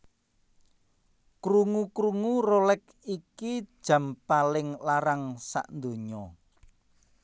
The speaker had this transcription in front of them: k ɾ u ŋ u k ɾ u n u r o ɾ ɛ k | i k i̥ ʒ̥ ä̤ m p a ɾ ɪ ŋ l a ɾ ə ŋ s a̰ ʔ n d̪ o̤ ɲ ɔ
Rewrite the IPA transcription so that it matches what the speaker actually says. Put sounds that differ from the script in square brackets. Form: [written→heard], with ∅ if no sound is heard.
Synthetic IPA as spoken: k ɾ u ŋ u k ɾ u [n→ŋ] u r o [ɾ→l] ɛ k | i k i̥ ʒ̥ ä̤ m p a [ɾ→l] ɪ ŋ l a ɾ [ə→a] ŋ s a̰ ʔ n d̪ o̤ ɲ ɔ